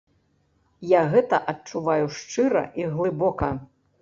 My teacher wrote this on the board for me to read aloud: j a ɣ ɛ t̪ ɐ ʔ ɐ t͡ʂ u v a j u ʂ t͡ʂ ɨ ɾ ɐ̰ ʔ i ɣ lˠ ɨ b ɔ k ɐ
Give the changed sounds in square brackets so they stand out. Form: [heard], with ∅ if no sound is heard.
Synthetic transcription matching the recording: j a ɣ ɛ t̪ ɐ ʔ ɐ t͡ʂ u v a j u ʂ t͡ʂ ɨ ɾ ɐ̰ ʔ i ɣ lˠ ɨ b ɔ k ɐ